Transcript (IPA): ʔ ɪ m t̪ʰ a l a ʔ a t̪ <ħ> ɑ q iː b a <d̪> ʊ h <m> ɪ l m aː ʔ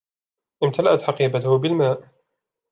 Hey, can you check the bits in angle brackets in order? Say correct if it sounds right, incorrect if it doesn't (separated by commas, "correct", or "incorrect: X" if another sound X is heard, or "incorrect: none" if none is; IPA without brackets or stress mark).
correct, incorrect: t̪, incorrect: b